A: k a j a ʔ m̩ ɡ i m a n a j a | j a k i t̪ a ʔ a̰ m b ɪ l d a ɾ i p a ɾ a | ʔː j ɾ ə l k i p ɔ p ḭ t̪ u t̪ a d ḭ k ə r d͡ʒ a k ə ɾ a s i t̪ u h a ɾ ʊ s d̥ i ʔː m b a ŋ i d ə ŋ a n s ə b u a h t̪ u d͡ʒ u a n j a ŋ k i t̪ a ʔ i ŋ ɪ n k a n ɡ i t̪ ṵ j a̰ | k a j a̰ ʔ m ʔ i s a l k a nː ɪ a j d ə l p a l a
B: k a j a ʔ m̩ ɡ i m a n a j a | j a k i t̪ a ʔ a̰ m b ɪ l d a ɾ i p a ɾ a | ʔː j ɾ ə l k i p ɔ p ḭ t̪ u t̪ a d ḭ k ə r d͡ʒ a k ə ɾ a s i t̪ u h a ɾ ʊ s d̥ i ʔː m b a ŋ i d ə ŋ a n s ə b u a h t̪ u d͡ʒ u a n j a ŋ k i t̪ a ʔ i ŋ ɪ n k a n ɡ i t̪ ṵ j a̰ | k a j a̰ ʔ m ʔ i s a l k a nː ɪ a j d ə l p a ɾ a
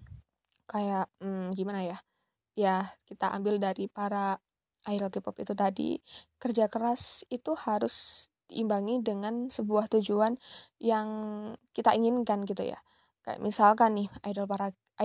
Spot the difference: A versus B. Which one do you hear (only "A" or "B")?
B